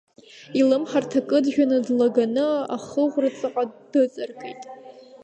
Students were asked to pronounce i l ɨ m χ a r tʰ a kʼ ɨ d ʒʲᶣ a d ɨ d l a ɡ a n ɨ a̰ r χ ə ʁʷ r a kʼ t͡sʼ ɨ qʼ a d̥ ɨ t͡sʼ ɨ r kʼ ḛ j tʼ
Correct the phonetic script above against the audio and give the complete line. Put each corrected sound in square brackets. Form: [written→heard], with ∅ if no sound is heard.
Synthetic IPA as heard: i l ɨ m [χ→ħ] a r tʰ a kʼ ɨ d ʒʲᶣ a [d→n] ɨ d l a ɡ a n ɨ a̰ [r→∅] χ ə ʁʷ r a [kʼ→∅] t͡sʼ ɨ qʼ a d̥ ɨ t͡sʼ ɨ r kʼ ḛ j tʼ